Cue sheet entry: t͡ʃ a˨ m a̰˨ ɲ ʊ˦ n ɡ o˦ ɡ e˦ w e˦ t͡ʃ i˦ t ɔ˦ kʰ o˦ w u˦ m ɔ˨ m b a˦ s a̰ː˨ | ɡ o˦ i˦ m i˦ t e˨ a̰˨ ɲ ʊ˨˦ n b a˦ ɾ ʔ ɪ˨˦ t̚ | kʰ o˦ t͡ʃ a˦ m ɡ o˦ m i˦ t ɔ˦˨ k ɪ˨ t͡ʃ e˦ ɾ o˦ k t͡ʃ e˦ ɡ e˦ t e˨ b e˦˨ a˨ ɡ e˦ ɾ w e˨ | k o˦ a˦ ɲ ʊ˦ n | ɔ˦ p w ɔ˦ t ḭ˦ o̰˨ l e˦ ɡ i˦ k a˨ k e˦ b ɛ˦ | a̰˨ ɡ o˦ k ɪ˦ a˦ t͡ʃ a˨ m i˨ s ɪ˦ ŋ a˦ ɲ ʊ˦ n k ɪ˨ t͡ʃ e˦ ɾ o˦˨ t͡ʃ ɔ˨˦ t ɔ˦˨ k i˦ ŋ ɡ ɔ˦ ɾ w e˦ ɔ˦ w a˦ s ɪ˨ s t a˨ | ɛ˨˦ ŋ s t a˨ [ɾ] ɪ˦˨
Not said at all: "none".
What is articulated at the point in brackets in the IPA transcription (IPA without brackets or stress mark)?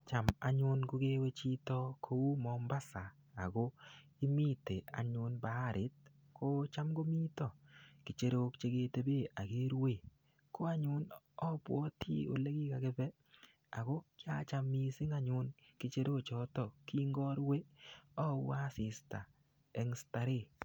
ɾ